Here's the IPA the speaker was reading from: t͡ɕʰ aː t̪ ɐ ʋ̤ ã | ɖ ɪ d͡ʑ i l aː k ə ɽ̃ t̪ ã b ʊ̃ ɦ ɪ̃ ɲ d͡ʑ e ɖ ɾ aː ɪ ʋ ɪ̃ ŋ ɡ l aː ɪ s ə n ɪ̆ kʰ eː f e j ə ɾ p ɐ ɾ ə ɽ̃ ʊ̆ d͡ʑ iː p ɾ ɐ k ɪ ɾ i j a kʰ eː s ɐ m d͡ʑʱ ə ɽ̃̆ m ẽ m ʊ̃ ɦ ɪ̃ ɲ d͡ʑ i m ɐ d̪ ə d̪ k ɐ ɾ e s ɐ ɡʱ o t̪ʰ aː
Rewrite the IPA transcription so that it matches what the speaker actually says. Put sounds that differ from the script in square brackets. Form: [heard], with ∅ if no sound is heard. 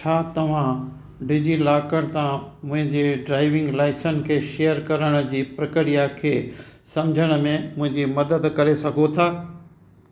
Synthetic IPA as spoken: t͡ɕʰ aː t̪ ɐ ʋ̤ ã | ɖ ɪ d͡ʑ i l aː k ə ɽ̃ t̪ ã [m] ʊ̃ ɦ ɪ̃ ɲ d͡ʑ e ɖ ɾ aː ɪ ʋ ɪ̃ ŋ ɡ l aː ɪ s ə n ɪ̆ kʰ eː [ʃ] e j ə ɾ [k] ɐ ɾ ə ɽ̃ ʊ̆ d͡ʑ iː p ɾ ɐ k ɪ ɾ i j a kʰ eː s ɐ m d͡ʑʱ ə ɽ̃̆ m ẽ m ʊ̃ ɦ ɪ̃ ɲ d͡ʑ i m ɐ d̪ ə d̪ k ɐ ɾ e s ɐ ɡʱ o t̪ʰ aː

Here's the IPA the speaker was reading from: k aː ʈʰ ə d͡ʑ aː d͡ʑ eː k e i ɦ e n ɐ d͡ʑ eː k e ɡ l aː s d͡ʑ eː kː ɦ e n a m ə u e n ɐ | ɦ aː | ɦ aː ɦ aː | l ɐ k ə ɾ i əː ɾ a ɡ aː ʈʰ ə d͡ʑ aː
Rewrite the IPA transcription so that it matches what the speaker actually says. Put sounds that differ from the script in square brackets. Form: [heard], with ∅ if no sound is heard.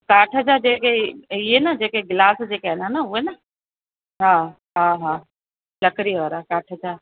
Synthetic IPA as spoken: k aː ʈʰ ə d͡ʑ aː d͡ʑ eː k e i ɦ e n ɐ d͡ʑ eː k e ɡ l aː s d͡ʑ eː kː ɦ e n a [n] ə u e n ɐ | ɦ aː | ɦ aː ɦ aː | l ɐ k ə ɾ i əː ɾ a [k] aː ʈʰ ə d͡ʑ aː

